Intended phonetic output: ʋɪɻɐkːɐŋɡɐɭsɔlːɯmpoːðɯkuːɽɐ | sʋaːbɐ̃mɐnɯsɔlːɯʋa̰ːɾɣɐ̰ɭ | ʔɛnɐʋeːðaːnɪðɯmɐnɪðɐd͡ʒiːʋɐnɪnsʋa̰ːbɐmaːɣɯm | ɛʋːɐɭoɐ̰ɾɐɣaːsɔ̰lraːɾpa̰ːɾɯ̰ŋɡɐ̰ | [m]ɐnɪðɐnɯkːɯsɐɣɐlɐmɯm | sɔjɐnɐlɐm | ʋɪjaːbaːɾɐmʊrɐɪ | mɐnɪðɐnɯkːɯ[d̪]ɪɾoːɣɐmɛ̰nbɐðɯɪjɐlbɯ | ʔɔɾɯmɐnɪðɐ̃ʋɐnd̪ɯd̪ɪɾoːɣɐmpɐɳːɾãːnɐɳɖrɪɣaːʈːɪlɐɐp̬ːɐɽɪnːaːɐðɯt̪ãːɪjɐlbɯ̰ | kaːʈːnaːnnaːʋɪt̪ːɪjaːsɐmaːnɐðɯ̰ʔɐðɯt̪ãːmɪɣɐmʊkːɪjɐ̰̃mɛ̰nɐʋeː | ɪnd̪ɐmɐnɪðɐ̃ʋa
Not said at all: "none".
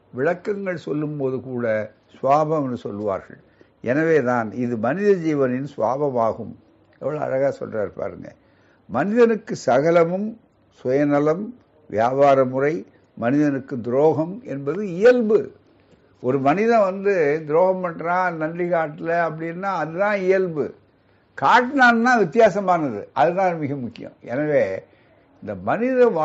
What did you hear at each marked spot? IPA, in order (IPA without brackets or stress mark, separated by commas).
m, d̪